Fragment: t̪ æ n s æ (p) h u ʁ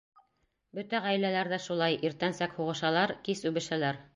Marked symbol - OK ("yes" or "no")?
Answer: no